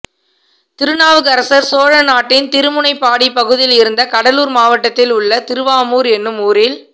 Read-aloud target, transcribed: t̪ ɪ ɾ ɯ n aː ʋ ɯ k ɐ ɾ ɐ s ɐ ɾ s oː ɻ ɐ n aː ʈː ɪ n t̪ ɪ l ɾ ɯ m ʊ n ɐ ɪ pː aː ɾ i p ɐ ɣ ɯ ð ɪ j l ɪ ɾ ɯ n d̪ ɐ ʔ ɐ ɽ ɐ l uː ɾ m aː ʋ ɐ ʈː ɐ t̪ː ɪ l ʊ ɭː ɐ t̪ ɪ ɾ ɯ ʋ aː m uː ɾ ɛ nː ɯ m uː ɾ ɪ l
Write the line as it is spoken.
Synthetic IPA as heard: t̪ ɪ ɾ ɯ n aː ʋ ɯ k ɐ ɾ ɐ s ɐ ɾ s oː ɻ ɐ n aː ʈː ɪ n t̪ ɪ ɾ ɯ m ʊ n ɐ ɪ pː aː ɽ i p ɐ ɣ ɯ ð ɪ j l ɪ ɾ ɯ n d̪ ɐ k ɐ ɽ ɐ l uː ɾ m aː ʋ ɐ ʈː ɐ t̪ː ɪ l ʊ ɭː ɐ t̪ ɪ ɾ ɯ ʋ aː m uː ɾ ɛ nː ɯ m uː ɾ ɪ l